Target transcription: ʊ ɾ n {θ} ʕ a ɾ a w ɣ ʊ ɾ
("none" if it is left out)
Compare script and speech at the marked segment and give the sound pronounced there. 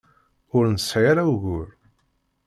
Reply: s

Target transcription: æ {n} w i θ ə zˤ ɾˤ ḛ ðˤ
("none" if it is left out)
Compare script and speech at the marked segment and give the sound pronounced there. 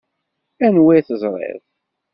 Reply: n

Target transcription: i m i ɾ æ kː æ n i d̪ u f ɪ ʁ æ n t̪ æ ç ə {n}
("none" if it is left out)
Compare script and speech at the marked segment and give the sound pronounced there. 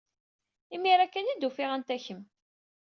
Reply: m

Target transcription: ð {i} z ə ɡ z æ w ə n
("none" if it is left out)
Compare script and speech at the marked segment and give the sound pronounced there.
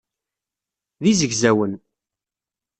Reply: i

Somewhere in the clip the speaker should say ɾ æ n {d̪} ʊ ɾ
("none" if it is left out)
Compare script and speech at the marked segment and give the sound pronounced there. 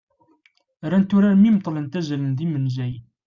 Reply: t̪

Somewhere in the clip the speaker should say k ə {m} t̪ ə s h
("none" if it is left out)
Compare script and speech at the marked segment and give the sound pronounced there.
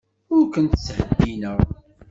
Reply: n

